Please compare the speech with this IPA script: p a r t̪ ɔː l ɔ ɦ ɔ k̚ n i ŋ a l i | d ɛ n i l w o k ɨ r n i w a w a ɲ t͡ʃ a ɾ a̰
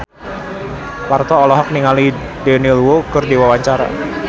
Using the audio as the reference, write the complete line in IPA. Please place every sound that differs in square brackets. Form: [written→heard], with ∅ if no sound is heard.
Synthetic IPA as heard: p a r t̪ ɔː l ɔ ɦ ɔ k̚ n i ŋ a l i | d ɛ n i l w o k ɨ r [n→d] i w a w a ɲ t͡ʃ a ɾ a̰